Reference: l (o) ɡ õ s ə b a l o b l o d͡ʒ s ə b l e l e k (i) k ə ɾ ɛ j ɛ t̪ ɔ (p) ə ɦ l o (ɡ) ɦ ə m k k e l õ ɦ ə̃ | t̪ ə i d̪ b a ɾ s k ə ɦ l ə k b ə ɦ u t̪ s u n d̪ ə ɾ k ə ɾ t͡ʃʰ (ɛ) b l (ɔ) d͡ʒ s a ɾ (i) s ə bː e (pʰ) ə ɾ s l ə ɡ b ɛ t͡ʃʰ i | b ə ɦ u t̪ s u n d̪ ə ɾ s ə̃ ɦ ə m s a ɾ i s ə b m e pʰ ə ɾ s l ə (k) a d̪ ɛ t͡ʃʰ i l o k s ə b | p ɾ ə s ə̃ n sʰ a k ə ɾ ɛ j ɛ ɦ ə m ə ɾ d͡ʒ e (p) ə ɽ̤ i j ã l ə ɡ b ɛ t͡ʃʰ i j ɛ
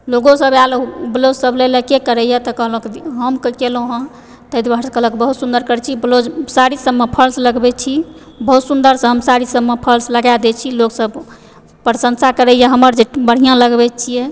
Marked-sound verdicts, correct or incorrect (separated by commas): correct, incorrect, incorrect, incorrect, incorrect, incorrect, correct, correct, incorrect, incorrect